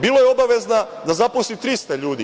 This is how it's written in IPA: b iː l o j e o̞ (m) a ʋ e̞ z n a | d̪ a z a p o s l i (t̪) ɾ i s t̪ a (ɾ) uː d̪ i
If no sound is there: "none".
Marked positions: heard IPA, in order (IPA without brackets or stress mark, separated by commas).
b, t̪, ʎ